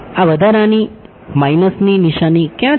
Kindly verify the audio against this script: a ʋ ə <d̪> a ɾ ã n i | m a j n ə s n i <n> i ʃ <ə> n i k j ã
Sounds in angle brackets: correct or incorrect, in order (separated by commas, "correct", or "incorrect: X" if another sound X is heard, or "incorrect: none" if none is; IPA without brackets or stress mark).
correct, correct, incorrect: a